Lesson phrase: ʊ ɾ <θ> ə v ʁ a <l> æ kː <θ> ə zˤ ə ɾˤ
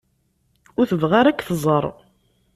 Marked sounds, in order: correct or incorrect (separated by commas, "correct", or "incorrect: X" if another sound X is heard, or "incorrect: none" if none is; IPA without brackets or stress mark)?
correct, incorrect: ɾ, correct